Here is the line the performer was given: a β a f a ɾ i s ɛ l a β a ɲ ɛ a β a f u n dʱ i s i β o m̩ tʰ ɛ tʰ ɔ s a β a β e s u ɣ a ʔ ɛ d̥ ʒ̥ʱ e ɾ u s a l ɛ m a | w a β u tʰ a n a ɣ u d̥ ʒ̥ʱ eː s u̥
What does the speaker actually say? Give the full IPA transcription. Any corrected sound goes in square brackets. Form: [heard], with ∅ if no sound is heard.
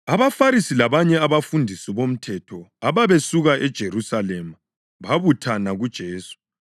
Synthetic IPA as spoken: a β a f a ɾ i s [i] l a β a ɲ ɛ a β a f u n dʱ i s i β o m̩ tʰ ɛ tʰ ɔ [∅] a β a β e s u ɣ a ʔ ɛ d̥ ʒ̥ʱ e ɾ u s a l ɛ m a | [β] a β u tʰ a n a ɣ u d̥ ʒ̥ʱ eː s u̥